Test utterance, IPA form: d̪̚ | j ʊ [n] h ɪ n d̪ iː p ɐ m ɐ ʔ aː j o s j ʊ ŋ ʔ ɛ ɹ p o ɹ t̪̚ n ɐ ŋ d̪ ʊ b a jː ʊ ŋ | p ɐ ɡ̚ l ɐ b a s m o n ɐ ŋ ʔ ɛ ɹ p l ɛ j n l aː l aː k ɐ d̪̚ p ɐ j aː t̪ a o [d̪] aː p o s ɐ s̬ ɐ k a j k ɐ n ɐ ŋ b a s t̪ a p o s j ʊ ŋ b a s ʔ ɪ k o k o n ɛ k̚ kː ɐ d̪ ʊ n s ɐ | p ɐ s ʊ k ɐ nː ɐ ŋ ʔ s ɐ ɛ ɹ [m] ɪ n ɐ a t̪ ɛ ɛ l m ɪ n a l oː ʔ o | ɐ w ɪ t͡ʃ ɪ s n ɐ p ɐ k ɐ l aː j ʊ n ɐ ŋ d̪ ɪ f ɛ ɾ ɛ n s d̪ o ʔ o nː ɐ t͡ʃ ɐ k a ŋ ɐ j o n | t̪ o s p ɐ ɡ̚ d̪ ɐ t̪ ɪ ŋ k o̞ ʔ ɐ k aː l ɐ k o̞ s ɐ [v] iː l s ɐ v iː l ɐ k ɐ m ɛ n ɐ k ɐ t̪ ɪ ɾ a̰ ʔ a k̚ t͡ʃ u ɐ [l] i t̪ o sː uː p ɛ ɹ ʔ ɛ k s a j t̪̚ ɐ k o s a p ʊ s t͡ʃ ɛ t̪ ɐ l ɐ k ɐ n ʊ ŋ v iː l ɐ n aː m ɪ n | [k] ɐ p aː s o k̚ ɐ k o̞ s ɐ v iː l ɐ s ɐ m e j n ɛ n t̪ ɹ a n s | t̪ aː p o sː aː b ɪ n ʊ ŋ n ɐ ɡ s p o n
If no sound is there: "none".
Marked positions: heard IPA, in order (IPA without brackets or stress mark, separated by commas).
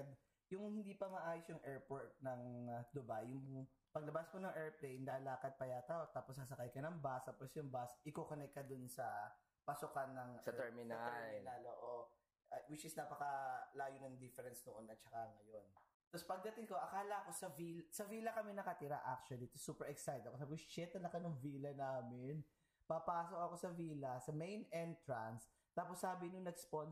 ŋ, t̪, m, v, l, p